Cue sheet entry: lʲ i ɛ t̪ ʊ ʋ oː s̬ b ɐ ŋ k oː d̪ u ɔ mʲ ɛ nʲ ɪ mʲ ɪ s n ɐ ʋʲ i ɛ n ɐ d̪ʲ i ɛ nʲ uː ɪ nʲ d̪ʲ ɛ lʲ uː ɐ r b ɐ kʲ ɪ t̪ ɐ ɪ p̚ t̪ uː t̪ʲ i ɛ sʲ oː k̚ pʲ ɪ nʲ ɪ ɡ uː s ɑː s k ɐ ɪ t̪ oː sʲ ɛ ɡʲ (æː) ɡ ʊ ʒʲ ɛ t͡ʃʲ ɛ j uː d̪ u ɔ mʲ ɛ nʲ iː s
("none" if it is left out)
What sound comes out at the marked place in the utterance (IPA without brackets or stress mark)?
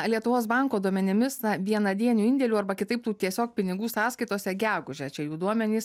æː